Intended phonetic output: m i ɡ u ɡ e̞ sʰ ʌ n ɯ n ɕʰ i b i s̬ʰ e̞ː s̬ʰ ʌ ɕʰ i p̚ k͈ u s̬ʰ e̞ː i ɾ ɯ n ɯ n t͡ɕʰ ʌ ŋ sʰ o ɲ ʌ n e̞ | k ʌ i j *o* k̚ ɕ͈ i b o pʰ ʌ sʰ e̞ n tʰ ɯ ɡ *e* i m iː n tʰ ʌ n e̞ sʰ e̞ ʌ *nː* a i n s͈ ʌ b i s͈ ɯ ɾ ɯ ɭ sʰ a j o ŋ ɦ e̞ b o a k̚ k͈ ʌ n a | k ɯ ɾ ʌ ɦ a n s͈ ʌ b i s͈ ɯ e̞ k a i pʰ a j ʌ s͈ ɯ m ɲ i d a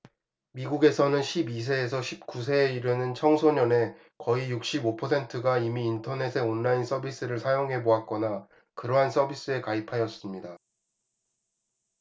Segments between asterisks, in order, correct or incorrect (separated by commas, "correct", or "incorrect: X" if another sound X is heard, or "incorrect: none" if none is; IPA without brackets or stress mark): incorrect: u, incorrect: a, correct